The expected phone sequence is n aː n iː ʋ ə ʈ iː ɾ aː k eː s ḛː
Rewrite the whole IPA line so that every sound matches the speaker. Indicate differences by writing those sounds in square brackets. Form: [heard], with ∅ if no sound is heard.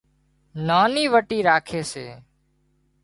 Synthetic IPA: n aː n iː ʋ ə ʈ iː ɾ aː [kʰ] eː s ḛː